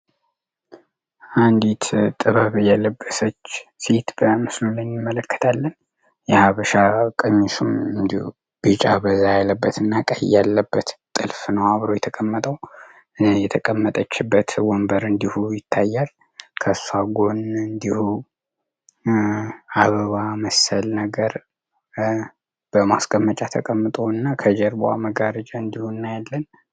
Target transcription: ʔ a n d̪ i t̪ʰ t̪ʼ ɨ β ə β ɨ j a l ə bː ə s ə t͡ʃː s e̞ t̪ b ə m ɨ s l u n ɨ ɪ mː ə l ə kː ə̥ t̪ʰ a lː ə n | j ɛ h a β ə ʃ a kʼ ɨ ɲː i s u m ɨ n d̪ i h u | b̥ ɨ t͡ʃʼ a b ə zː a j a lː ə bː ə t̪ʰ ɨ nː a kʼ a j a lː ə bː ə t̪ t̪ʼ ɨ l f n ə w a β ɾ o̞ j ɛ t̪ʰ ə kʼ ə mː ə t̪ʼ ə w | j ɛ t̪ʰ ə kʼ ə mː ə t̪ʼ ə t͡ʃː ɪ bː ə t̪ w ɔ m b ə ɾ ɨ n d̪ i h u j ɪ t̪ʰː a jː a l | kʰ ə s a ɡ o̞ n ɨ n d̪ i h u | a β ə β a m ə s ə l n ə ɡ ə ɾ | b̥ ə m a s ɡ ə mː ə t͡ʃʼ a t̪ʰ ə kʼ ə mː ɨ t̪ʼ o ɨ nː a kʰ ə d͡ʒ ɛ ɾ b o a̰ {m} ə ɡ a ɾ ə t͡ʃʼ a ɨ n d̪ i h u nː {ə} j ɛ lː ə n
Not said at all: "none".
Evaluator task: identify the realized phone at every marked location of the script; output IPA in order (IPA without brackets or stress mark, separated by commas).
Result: m, a